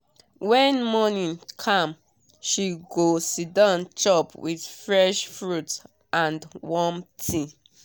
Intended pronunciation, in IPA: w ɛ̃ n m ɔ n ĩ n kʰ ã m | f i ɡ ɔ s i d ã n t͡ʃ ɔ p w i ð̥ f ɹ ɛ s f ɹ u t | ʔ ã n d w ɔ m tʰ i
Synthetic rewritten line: w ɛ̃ n m ɔ n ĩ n kʰ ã m | ʃ i ɡ o s i d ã n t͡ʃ ɔ p w i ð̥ f ɹ ɛ ʃ f ɹ u t | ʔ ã n d w ɔ m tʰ i